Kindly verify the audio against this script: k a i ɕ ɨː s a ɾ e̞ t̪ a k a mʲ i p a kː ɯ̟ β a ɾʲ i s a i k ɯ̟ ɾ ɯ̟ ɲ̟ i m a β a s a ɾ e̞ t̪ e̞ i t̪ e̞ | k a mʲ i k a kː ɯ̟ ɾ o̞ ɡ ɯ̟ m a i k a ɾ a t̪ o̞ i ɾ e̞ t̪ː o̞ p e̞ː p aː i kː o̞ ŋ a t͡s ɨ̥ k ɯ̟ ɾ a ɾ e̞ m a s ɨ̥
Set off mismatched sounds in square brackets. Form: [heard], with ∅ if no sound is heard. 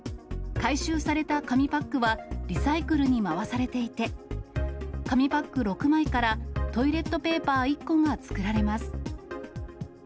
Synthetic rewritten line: k a i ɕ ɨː s a ɾ e̞ t̪ a k a mʲ i p a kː ɯ̟ β a ɾʲ i s a i k ɯ̟ ɾ ɯ̟ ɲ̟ i m a β a s a ɾ e̞ t̪ e̞ i t̪ e̞ | k a mʲ i [p] a kː ɯ̟ ɾ o̞ [k] ɯ̟ m a i k a ɾ a t̪ o̞ i ɾ e̞ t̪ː o̞ p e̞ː p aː i kː o̞ ŋ a t͡s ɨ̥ k ɯ̟ ɾ a ɾ e̞ m a s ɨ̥